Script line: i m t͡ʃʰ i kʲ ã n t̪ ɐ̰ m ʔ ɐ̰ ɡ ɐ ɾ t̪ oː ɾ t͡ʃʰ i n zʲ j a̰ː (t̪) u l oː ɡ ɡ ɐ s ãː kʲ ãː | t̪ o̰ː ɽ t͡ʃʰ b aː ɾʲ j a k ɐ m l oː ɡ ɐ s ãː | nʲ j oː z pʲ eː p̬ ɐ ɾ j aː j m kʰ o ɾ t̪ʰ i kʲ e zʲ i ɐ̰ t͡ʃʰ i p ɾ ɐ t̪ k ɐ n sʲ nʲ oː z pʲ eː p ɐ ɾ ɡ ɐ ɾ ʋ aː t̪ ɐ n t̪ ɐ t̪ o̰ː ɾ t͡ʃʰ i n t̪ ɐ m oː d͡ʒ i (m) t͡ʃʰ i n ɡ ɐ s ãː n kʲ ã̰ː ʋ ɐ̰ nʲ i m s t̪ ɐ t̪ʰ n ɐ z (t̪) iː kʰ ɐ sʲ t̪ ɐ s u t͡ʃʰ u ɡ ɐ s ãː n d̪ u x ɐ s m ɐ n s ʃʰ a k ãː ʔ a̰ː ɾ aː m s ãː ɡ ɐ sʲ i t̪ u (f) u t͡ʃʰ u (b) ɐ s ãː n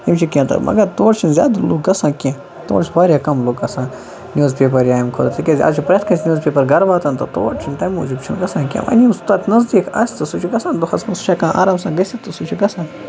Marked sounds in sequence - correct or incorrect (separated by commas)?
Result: incorrect, incorrect, incorrect, incorrect, incorrect